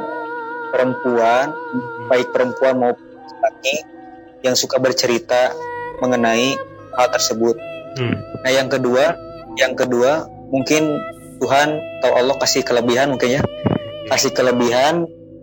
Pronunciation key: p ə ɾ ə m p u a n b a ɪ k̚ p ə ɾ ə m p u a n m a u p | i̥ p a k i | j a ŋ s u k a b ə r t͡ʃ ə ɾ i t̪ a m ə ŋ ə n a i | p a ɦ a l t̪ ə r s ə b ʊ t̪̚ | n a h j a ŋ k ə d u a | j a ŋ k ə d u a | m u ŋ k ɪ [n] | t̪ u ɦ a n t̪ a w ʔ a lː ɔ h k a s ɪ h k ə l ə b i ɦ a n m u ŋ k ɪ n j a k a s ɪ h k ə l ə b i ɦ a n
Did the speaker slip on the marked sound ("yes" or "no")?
no